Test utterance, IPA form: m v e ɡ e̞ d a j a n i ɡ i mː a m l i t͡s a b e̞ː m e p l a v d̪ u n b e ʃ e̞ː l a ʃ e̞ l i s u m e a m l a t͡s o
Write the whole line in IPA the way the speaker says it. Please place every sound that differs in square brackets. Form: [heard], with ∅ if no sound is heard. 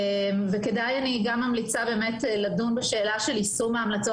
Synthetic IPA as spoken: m v e [k] e̞ d a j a n i ɡ [a] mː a m l i t͡s a b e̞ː m e [t] l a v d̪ u n b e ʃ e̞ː l a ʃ e̞ l i s u m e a m l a t͡s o